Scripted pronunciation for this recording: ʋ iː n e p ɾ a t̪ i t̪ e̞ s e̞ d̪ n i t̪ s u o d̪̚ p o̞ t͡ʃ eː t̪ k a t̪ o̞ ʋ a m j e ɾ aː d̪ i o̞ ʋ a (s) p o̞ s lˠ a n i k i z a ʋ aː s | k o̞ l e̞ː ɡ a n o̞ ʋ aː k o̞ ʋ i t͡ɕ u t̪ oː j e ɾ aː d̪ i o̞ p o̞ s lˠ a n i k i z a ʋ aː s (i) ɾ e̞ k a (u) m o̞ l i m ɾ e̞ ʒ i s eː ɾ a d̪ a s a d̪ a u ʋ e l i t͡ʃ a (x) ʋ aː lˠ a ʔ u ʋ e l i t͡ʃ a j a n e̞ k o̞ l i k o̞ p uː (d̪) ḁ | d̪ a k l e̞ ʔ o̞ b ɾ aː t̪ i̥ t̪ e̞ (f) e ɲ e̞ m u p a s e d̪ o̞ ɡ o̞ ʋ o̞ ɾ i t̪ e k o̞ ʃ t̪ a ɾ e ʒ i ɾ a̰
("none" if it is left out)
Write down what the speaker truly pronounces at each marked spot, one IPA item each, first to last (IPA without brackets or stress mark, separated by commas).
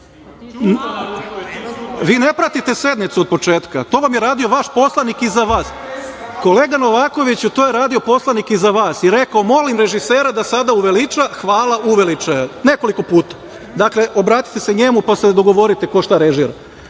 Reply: ʃ, i, o, x, t̪, s